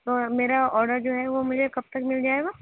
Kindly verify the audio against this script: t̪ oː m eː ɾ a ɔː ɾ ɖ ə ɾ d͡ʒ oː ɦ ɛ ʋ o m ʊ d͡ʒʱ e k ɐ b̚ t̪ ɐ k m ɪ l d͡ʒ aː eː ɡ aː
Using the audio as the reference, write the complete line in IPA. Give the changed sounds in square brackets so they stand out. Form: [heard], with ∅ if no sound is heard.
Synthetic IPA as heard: t̪ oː m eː ɾ a ɔː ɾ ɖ ə ɾ d͡ʒ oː ɦ ɛ ʋ o m ʊ d͡ʒʱ e k ɐ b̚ t̪ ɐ k m ɪ l d͡ʒ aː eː ɡ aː